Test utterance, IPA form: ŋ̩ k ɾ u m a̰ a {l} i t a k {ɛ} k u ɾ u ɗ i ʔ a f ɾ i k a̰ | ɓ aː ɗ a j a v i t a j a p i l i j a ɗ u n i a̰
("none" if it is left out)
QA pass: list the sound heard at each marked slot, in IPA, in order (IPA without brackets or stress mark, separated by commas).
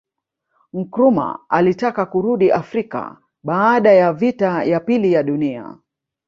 l, a